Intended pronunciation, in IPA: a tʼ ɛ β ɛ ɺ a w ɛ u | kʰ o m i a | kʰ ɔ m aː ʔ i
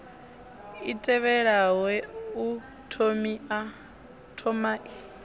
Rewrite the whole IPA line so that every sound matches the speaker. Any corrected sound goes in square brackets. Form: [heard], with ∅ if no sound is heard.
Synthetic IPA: [i] tʼ ɛ β ɛ ɺ a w ɛ u | [tʰ] o m i a | [tʰ] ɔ m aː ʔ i